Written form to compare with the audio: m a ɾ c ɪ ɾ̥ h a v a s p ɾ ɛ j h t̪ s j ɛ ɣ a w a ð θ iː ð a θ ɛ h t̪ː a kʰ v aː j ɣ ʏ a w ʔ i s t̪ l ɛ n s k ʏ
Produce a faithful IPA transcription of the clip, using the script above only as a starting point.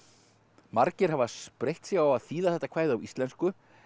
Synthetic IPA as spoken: m a ɾ c ɪ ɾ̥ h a v a s p ɾ e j h t̪ s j ɛ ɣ a w a ð θ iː ð a θ ɛ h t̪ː a kʰ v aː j ð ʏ a w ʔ i s t̪ l ɛ n s k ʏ